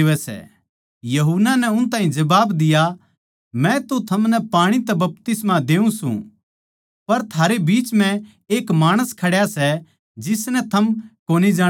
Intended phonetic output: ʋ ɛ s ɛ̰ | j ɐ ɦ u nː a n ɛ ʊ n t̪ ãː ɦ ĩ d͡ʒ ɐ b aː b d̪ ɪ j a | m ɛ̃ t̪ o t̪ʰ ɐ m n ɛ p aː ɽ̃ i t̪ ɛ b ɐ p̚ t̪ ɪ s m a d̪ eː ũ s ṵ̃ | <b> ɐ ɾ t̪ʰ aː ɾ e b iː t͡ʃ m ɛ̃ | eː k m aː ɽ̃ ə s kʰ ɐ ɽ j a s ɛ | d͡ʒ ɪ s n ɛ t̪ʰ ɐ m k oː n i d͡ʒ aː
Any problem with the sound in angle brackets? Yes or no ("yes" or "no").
yes